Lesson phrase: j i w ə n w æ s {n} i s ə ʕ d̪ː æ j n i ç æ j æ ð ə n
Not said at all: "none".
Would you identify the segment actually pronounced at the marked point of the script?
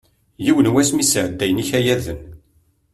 m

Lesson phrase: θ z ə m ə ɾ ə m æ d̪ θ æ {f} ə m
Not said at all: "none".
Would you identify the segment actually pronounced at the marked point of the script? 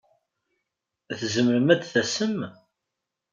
s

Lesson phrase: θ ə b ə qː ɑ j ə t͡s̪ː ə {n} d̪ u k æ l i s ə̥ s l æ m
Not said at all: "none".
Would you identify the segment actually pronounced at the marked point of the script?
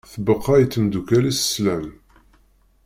m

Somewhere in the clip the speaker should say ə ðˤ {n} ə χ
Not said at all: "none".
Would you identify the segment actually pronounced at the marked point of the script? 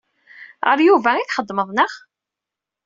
n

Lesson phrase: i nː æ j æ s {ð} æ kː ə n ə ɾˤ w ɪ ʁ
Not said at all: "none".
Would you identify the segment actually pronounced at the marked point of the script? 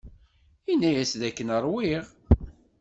ð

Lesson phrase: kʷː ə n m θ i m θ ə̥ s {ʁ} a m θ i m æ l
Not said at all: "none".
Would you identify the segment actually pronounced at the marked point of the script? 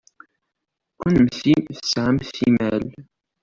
ʕ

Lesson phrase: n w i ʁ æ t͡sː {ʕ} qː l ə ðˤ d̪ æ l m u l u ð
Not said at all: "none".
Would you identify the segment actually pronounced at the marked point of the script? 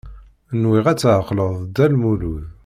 ʕ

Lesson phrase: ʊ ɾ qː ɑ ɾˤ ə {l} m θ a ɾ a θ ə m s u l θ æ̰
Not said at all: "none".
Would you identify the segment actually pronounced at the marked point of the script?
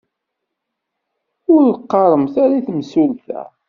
none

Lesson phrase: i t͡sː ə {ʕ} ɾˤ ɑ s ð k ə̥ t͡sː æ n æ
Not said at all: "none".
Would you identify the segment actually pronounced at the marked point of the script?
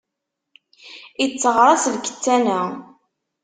ʁ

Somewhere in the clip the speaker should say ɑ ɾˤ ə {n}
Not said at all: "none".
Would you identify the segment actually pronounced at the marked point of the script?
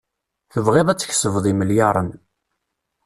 n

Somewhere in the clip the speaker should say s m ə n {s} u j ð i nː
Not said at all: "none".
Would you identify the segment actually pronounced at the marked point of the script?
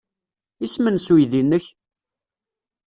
s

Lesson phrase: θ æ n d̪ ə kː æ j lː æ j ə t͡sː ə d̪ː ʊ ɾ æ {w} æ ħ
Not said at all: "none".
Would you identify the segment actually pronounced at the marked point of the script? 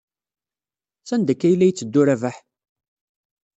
v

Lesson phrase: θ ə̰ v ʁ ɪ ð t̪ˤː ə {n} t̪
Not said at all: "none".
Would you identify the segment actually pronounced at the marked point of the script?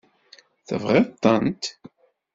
n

